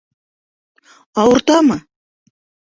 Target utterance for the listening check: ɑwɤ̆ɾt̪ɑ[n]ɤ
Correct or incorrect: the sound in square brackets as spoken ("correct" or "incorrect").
incorrect